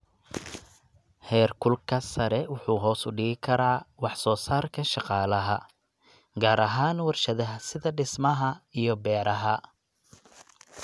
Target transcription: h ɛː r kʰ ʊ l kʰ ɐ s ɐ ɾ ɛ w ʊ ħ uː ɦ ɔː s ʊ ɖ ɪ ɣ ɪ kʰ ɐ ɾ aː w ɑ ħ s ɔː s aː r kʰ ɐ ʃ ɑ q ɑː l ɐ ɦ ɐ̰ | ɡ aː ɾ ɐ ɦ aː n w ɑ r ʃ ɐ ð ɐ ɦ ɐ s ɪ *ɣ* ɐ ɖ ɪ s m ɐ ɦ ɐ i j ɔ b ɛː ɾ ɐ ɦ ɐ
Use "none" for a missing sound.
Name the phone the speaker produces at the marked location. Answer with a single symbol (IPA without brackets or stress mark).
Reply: ð